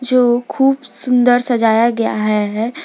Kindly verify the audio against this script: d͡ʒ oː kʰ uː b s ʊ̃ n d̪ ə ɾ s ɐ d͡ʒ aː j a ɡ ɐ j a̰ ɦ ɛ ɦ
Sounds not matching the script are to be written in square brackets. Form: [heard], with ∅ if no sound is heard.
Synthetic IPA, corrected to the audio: d͡ʒ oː kʰ uː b s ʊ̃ n d̪ ə ɾ s ɐ d͡ʒ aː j a ɡ ɐ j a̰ ɦ ɛ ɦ